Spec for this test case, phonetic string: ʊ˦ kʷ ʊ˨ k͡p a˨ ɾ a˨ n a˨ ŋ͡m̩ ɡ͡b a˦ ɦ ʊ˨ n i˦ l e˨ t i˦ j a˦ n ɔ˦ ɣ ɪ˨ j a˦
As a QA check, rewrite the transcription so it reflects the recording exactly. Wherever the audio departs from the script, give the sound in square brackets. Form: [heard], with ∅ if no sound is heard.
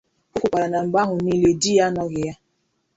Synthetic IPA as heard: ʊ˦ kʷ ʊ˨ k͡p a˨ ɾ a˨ n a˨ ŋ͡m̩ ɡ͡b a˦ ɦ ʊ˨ n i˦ l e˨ [d] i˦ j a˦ n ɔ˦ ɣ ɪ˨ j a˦